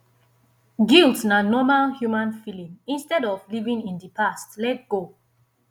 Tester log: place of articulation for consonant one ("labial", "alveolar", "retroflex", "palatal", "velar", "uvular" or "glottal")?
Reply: velar